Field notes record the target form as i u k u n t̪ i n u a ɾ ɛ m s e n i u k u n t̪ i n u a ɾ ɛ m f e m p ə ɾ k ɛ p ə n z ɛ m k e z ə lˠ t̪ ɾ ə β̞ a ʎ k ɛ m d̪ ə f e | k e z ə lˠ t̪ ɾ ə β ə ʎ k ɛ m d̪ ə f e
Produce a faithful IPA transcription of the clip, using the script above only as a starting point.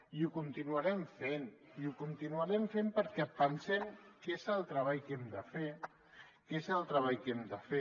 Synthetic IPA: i u k u n t̪ i n u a ɾ ɛ m f e n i u k u n t̪ i n u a ɾ ɛ m f e m p ə ɾ k ɛ p ə n s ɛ m k e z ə lˠ t̪ ɾ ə β̞ a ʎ k ɛ m d̪ ə f e | k e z ə lˠ t̪ ɾ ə β a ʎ k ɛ m d̪ ə f e